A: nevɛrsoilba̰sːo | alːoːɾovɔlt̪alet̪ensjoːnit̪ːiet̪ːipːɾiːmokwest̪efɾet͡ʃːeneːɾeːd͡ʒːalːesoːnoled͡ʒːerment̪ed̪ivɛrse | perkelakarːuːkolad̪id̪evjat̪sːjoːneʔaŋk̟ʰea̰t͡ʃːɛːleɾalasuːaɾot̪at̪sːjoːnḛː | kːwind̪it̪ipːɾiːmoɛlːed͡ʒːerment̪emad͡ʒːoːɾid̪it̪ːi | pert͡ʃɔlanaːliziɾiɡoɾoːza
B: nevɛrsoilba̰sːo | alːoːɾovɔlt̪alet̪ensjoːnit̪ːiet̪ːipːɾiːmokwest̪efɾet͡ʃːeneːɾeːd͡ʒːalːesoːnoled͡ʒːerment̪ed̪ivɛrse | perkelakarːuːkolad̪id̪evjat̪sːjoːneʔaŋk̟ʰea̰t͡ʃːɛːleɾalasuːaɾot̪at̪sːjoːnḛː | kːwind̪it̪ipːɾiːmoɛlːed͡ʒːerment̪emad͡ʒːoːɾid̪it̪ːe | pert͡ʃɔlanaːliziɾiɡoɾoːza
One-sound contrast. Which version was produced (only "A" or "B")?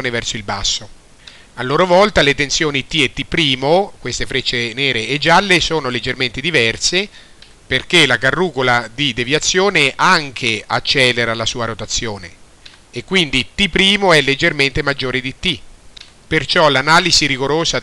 A